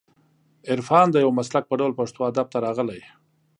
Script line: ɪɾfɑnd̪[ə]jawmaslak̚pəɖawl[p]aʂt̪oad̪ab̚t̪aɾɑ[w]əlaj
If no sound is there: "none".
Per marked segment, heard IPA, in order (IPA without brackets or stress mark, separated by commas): ə, p, ɣ